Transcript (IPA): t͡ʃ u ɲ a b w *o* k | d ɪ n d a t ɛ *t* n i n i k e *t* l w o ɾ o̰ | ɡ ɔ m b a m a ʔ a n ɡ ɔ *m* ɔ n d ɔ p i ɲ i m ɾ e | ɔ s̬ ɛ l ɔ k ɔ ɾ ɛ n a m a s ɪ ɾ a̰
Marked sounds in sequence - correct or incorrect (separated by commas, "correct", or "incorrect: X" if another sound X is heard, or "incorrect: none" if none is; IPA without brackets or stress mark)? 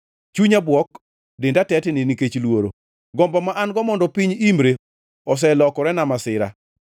incorrect: ɔ, correct, incorrect: t͡ʃ, correct